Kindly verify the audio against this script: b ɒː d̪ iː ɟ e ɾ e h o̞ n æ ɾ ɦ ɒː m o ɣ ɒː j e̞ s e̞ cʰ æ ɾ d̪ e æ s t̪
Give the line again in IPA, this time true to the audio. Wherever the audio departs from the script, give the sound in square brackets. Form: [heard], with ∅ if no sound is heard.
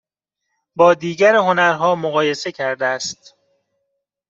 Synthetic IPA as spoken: b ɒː d̪ iː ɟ [æ] ɾ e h o̞ n æ ɾ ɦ ɒː m o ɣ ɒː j e̞ s e̞ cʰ æ ɾ d̪ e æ s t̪